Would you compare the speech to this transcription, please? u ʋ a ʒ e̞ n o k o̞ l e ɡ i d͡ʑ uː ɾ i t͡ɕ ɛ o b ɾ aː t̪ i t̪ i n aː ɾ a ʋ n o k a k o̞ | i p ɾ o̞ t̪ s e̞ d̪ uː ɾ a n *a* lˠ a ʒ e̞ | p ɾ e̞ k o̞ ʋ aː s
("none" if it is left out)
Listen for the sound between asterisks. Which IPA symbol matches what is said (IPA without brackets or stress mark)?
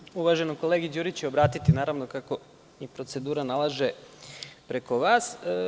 a